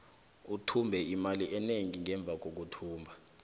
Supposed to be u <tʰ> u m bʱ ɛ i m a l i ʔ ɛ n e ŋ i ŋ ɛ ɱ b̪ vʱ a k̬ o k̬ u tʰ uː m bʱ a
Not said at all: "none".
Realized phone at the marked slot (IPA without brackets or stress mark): tʰ